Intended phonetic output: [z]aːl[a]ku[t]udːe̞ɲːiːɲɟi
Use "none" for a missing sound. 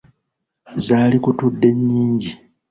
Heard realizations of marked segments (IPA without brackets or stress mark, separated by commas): z, i, t